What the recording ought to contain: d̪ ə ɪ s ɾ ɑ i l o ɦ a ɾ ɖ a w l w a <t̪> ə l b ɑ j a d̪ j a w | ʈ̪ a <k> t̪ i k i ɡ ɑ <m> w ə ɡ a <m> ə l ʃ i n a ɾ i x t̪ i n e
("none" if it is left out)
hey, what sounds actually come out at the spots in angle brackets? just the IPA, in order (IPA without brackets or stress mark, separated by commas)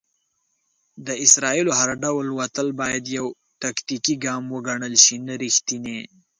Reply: t̪, k, m, ɳ